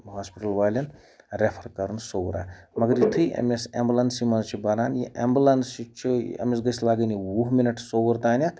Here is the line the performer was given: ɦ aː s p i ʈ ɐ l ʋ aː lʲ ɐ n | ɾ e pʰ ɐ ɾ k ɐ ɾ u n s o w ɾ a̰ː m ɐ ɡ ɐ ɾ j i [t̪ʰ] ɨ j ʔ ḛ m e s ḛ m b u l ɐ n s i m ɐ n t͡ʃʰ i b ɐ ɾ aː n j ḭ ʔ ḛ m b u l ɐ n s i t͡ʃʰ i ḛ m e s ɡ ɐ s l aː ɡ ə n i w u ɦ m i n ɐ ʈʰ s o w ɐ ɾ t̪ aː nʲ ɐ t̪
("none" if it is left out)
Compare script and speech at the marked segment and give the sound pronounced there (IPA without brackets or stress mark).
t̪ʰ